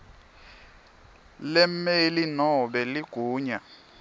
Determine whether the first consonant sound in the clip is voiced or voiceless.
voiced